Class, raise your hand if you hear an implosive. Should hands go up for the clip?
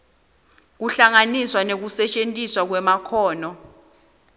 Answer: no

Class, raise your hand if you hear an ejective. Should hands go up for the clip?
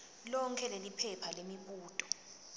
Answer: yes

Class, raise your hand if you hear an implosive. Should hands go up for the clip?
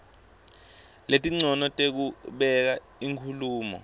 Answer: yes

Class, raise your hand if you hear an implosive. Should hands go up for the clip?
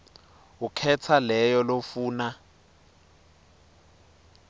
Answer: no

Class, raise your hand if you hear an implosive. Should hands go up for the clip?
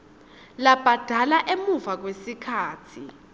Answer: no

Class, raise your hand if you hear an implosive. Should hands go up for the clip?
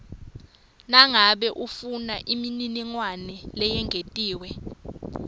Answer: yes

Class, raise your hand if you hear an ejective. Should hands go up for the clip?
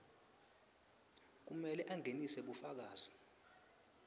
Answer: no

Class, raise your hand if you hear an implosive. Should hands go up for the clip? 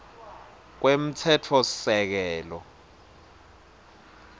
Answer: no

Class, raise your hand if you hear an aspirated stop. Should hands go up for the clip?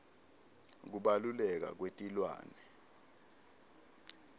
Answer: no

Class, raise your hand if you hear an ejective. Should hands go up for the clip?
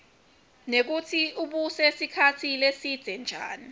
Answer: no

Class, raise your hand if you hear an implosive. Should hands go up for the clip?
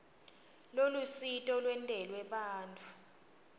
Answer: yes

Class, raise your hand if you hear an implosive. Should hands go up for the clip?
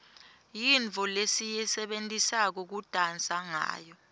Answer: yes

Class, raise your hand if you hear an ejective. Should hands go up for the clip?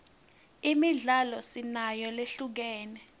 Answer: no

